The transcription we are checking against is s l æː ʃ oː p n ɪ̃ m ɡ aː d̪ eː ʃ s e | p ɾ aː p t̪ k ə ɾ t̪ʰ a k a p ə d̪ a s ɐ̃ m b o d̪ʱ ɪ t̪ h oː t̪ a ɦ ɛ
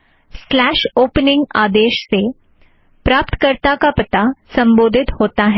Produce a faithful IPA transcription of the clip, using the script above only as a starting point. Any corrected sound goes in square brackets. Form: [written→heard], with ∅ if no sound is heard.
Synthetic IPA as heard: s l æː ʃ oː p n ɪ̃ [m→ŋ] ɡ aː d̪ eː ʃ s e | p ɾ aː p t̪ k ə ɾ [t̪ʰ→t̪] a k a p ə [d̪→t̪] a s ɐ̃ m b o d̪ʱ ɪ t̪ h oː t̪ a ɦ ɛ

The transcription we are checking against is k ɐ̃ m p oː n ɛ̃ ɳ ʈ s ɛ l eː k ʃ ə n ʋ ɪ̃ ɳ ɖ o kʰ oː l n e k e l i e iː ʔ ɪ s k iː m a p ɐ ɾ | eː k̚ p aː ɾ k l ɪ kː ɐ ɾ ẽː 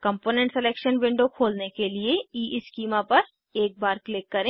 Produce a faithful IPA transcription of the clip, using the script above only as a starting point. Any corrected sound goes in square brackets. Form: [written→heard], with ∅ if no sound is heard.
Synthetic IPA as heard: k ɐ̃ m p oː n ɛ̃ ɳ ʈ s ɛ l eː k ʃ ə n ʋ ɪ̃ ɳ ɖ o kʰ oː l n e k e l i e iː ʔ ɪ s k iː m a p ɐ ɾ | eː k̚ [p→b] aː ɾ k l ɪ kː ɐ ɾ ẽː

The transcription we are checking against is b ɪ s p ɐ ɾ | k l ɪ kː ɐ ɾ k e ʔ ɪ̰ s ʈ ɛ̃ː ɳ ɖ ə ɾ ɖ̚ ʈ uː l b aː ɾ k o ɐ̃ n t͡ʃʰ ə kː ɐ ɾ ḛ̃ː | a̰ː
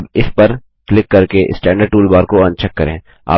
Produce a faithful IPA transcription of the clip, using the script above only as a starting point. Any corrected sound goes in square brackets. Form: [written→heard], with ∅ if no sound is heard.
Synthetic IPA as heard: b ɪ s p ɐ ɾ | k l ɪ kː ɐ ɾ k e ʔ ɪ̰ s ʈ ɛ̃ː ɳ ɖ ə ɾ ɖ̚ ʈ uː l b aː ɾ k o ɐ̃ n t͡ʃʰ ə kː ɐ ɾ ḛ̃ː | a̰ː

